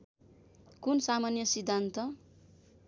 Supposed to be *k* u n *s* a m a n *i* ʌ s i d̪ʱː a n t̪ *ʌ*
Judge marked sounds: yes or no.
yes, yes, no, yes

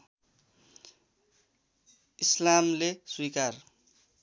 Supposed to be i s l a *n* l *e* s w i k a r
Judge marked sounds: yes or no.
no, yes

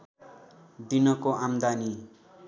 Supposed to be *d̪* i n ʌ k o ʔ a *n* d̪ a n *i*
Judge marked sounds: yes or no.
yes, no, yes

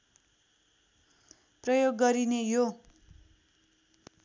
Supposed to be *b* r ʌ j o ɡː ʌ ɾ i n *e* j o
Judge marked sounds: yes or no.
no, yes

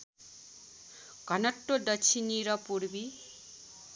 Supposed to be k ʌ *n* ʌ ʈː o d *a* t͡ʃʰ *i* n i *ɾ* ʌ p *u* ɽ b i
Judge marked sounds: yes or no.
yes, no, yes, yes, yes

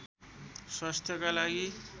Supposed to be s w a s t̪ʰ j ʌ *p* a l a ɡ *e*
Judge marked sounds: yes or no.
no, no

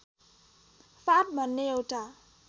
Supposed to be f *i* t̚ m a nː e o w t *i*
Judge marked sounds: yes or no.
no, no

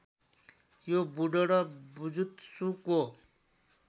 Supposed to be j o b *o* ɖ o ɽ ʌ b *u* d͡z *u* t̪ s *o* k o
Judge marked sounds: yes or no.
no, yes, yes, no

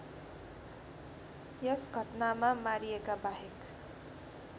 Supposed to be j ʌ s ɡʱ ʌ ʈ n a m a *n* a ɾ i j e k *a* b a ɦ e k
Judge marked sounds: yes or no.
no, yes

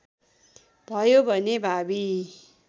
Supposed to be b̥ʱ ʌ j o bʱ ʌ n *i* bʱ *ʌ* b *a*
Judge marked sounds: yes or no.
no, no, no

